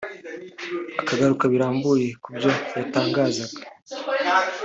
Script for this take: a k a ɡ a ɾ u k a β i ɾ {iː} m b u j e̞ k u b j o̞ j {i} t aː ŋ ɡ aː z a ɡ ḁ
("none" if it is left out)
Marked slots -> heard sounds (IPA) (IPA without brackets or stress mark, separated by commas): aː, a